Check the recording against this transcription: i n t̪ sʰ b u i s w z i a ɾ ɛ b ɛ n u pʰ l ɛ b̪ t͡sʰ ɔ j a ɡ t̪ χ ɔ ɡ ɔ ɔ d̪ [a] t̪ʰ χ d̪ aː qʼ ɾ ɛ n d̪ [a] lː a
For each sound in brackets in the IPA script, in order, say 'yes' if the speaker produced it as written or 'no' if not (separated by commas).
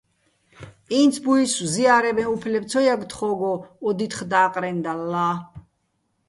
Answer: no, yes